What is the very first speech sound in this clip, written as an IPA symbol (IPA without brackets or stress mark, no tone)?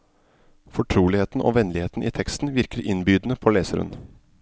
f